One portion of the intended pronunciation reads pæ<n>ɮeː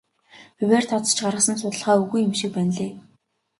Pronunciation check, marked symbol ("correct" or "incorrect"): correct